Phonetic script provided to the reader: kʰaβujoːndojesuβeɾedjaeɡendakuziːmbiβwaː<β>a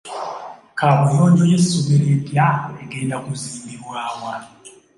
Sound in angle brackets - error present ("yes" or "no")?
yes